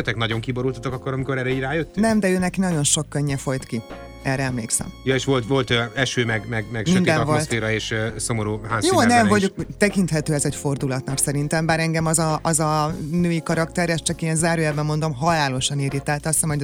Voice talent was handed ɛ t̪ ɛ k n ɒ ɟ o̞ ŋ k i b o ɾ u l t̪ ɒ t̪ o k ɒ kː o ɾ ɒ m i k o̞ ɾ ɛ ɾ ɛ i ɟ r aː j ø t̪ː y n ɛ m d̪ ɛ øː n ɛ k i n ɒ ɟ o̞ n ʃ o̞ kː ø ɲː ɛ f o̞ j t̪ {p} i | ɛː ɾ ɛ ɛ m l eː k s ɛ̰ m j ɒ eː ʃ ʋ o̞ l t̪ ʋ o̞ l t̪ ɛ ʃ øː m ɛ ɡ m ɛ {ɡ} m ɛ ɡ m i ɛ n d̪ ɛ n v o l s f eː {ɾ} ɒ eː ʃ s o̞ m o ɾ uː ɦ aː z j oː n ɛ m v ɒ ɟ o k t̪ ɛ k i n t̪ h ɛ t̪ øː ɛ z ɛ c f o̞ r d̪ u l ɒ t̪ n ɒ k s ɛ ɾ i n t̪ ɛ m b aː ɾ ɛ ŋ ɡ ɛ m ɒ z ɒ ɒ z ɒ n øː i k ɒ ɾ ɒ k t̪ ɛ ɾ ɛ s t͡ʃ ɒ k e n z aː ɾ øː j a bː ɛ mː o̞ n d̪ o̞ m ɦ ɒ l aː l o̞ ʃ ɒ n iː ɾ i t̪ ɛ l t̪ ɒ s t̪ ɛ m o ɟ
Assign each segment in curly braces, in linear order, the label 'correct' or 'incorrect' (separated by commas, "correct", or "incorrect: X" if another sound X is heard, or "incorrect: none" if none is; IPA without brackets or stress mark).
incorrect: k, correct, correct